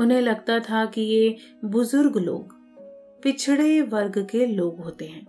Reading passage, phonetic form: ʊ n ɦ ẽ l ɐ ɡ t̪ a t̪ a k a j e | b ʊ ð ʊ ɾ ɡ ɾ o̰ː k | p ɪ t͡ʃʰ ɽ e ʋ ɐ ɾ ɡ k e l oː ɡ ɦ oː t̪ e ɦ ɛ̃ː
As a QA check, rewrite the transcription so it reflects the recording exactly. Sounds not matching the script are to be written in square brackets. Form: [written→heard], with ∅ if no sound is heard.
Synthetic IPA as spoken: ʊ n ɦ ẽ l ɐ ɡ t̪ a [t̪→t̪ʰ] a k [a→i] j e | b ʊ [ð→z] ʊ ɾ ɡ [ɾ→l] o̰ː [k→ɡ] | p ɪ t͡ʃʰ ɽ e ʋ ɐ ɾ ɡ k e l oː ɡ ɦ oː t̪ e ɦ ɛ̃ː